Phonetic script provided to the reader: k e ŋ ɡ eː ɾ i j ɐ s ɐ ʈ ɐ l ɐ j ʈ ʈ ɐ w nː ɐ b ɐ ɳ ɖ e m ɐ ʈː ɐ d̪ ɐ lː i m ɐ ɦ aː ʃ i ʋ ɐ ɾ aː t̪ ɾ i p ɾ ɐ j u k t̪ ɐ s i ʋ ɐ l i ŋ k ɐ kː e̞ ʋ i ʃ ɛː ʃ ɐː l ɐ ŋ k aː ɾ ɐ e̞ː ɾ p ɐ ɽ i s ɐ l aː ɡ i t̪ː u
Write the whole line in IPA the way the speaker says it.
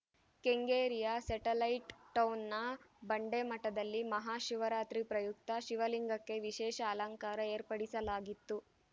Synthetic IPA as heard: k e ŋ ɡ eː ɾ i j ɐ s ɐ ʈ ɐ l ɐ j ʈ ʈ ɐ w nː ɐ b ɐ ɳ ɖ e m ɐ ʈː ɐ d̪ ɐ lː i m ɐ ɦ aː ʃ i ʋ ɐ ɾ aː t̪ ɾ i p ɾ ɐ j u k t̪ ɐ ʃ i ʋ ɐ l i ŋ ɡ ɐ kː e̞ ʋ i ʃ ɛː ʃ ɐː l ɐ ŋ k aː ɾ ɐ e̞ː ɾ p ɐ ɽ i s ɐ l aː ɡ i t̪ː u